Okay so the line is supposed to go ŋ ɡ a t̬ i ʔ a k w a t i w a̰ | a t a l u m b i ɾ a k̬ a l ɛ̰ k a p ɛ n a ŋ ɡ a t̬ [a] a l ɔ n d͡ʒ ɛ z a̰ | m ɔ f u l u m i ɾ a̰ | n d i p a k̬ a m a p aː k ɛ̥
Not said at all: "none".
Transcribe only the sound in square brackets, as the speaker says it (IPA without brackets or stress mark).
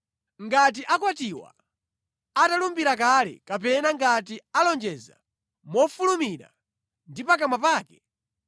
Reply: i